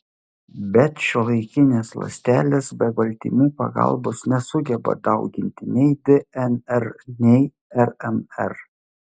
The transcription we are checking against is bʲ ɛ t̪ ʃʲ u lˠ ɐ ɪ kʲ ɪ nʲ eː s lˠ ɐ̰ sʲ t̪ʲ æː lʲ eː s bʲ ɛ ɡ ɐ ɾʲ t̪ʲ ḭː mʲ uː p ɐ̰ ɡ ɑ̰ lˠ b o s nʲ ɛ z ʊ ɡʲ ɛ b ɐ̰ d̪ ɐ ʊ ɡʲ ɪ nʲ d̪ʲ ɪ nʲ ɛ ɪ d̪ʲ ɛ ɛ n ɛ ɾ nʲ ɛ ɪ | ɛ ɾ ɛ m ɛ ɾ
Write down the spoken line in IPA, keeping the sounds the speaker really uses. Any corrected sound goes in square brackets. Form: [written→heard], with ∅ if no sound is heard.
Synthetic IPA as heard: bʲ ɛ t̪ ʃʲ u lˠ ɐ ɪ kʲ ɪ nʲ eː s lˠ ɐ̰ sʲ t̪ʲ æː lʲ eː s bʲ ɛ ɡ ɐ [ɾʲ→lʲ] t̪ʲ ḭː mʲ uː p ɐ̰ ɡ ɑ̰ lˠ b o s nʲ ɛ [z→s] ʊ ɡʲ ɛ b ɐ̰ d̪ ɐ ʊ ɡʲ ɪ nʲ [d̪ʲ→t̪ʲ] ɪ nʲ ɛ ɪ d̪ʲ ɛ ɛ n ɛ ɾ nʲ ɛ ɪ | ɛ ɾ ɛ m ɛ ɾ